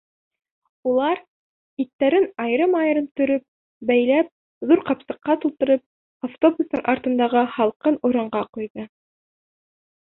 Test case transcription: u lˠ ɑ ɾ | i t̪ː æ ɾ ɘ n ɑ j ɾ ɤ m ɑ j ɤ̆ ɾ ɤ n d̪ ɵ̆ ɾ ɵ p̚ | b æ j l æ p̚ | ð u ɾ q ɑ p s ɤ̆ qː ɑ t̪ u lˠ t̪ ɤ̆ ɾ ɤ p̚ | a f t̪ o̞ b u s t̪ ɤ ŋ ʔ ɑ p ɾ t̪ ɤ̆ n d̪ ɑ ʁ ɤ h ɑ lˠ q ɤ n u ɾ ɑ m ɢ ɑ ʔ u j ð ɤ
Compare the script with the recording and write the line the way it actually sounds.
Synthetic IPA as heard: u lˠ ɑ ɾ | i t̪ː æ ɾ ɘ n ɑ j ɾ ɤ m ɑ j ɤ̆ ɾ ɤ n t̪ ɵ̆ ɾ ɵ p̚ | b æ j l æ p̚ | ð u ɾ q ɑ p s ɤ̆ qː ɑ t̪ u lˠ t̪ ɤ̆ ɾ ɤ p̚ | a f t̪ o̞ b u s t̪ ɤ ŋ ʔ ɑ ɾ t̪ ɤ̆ n d̪ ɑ ʁ ɤ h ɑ lˠ q ɤ n u ɾ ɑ ɴ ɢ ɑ q u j ð ɤ